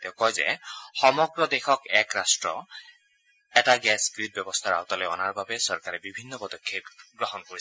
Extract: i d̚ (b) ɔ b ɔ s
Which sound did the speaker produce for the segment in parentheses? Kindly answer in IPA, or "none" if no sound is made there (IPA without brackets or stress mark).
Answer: b